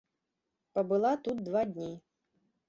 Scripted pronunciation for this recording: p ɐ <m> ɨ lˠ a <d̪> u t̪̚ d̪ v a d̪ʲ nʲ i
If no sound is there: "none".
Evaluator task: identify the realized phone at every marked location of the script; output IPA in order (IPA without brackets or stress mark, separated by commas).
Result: b, t̪